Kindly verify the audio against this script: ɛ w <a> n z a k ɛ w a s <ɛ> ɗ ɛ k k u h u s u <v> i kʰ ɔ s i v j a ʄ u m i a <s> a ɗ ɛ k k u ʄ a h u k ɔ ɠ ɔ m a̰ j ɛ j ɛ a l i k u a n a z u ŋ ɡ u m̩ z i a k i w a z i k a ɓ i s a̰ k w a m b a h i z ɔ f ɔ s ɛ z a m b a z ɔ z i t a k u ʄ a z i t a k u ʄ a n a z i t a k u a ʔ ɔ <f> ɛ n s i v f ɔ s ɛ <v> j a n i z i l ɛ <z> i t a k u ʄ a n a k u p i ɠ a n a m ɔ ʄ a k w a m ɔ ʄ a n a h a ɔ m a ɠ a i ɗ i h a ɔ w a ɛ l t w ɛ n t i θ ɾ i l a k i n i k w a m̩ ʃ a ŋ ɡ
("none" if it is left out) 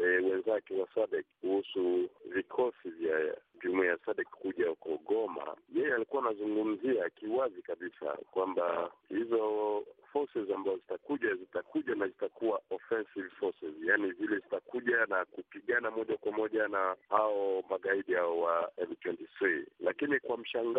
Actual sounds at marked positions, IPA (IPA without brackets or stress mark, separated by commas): ɛ, a, v, s, f, z, z